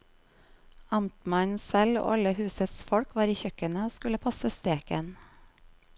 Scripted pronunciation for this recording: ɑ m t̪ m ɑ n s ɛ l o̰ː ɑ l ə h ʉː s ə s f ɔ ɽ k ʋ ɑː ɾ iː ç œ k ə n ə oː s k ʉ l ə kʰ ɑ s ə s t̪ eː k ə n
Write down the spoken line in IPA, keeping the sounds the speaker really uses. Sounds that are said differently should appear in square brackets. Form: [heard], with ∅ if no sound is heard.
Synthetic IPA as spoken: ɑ m t̪ m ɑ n s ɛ l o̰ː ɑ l ə h ʉː s ə s f ɔ ɽ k ʋ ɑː ɾ iː ç œ k ə n ə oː s k ʉ l ə [pʰ] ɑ s ə s t̪ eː k ə n